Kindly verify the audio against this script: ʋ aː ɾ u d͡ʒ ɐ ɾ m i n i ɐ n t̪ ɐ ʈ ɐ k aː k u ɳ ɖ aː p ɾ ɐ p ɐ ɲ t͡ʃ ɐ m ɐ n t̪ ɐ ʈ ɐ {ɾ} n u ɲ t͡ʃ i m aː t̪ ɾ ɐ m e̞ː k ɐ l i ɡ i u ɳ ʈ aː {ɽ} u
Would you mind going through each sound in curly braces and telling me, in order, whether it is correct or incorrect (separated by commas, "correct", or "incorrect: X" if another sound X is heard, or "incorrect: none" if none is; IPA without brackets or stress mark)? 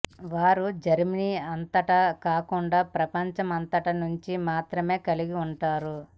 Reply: incorrect: none, incorrect: ɾ